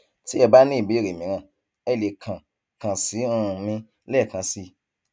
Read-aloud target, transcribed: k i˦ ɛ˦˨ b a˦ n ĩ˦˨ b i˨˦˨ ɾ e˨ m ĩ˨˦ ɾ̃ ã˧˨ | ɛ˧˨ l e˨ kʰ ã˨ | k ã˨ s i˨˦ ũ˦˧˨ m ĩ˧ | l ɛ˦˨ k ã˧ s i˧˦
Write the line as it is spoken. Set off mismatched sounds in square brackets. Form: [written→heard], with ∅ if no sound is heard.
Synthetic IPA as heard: [k→t] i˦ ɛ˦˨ b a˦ n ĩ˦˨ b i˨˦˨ ɾ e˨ m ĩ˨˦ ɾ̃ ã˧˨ | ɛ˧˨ l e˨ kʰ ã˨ | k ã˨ s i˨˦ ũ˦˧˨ m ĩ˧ | l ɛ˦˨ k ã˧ s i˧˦